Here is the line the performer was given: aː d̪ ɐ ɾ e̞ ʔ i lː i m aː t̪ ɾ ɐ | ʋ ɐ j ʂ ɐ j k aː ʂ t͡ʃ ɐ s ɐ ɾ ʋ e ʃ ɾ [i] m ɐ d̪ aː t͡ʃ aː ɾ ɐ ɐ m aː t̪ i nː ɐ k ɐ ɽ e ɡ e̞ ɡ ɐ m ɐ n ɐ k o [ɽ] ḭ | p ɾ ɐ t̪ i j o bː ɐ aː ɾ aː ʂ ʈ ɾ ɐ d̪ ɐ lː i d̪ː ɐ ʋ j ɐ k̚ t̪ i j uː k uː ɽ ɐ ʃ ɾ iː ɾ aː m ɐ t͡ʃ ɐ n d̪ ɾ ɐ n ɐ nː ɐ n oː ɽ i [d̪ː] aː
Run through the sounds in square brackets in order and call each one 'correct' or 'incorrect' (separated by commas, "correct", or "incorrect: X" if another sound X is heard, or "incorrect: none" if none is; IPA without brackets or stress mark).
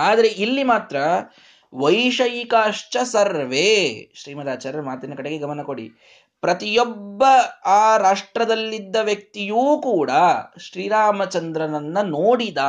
incorrect: iː, correct, incorrect: d̪